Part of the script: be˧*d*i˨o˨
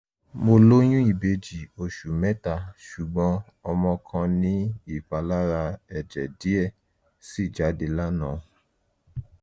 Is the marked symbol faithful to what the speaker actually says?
no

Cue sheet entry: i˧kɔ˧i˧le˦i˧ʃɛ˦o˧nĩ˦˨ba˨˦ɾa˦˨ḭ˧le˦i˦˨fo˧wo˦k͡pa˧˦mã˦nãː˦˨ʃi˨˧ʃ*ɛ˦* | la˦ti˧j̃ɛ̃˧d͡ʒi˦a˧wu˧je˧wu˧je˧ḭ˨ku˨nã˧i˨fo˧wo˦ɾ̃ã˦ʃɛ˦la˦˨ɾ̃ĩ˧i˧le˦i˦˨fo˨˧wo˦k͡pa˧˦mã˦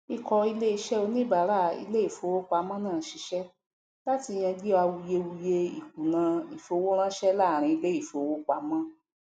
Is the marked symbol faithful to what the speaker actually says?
yes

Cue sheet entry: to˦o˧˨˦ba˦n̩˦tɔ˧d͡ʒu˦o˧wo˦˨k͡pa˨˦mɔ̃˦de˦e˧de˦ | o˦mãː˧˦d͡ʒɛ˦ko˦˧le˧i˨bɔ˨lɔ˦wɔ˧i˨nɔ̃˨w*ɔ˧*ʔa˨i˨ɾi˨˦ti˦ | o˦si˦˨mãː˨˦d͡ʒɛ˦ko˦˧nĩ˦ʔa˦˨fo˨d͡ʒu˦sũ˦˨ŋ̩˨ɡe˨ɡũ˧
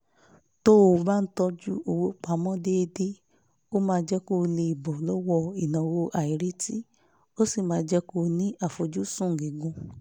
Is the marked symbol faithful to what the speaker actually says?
no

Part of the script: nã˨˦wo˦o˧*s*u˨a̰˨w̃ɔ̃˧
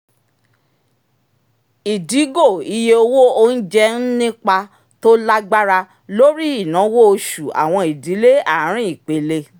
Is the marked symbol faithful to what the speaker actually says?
no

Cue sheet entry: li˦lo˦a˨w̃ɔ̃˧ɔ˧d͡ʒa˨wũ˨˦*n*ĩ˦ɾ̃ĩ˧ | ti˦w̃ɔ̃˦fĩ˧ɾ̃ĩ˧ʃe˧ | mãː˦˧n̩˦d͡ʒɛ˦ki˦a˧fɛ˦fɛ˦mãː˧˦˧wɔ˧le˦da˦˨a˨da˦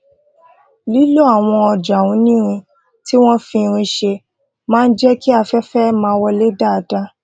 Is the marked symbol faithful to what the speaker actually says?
yes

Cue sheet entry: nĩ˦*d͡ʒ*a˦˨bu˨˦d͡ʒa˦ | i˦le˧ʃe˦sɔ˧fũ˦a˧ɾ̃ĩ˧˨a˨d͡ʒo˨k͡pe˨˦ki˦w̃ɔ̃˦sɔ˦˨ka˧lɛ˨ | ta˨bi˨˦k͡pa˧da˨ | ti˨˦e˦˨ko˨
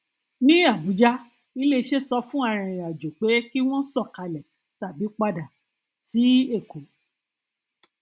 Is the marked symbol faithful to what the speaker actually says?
no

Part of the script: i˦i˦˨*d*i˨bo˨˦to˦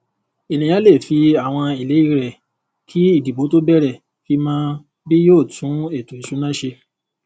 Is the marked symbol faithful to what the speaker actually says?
yes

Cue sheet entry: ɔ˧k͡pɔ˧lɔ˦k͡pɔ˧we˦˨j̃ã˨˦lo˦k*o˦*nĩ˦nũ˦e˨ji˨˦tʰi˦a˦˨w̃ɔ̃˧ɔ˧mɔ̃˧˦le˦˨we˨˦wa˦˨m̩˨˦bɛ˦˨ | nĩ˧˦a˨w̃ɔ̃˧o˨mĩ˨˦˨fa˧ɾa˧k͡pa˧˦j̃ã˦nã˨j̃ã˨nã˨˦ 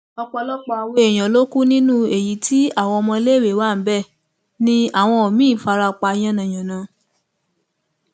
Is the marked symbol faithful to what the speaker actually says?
no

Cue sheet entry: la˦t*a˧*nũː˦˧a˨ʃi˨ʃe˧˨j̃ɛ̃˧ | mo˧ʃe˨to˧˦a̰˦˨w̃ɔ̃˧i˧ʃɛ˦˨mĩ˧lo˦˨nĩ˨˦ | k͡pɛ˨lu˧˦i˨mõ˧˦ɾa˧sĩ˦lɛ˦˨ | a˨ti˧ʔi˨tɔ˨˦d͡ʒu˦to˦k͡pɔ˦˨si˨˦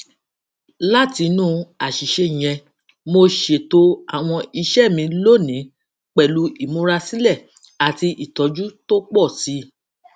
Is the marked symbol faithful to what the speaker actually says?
no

